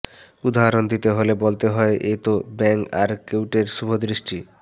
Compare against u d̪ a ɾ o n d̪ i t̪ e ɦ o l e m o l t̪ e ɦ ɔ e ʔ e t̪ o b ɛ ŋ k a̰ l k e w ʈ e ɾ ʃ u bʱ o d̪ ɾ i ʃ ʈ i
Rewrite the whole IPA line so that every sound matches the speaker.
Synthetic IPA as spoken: u d̪ a ɾ o n d̪ i t̪ e ɦ o l e b o l t̪ e ɦ ɔ e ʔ e t̪ o b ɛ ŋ k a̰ ɾ k e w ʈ e ɾ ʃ u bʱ o d̪ ɾ i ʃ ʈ i

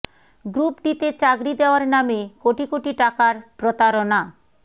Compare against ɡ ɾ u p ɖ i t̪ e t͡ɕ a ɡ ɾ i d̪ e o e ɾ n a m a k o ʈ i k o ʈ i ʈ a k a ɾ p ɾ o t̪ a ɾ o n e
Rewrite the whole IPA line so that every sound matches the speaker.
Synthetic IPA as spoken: ɡ ɾ u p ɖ i t̪ e t͡ɕ a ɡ ɾ i d̪ e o a ɾ n a m e k o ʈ i k o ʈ i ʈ a k a ɾ p ɾ o t̪ a ɾ o n a

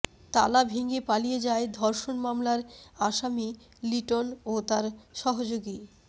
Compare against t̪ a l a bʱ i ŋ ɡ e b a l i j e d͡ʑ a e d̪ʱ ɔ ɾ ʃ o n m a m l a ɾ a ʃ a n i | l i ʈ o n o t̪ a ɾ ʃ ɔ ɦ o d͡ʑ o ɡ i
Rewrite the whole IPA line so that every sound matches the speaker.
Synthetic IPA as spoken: t̪ a l a bʱ i ŋ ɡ e p a l i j e d͡ʑ a e d̪ʱ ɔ ɾ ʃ o n m a m l a ɾ a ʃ a m i | l i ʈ o n o t̪ a ɾ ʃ ɔ ɦ o d͡ʑ o ɡ i

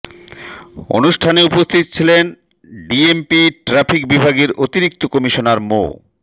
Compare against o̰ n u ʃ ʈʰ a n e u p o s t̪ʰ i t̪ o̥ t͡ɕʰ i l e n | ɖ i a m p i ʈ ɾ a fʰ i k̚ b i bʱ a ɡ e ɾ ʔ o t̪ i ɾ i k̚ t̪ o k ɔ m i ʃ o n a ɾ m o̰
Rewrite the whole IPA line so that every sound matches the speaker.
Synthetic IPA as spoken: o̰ n u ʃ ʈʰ a n e u p o s t̪ʰ i t̪ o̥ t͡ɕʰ i l e n | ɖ i e m p i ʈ ɾ a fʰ i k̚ b i bʱ a ɡ e ɾ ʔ o t̪ i ɾ i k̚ t̪ o k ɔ m i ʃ o n a ɾ m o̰

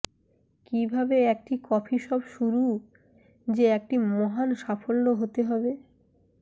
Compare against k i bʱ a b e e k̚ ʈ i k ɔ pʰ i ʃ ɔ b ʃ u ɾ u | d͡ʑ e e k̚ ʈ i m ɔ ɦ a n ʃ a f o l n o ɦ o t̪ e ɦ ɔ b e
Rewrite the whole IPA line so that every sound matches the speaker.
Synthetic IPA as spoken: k i bʱ a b e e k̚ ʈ i k ɔ pʰ i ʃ ɔ b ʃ u ɾ u | d͡ʑ e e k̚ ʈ i m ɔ ɦ a n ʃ a f o l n o ɦ o t̪ e ɦ ɔ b e

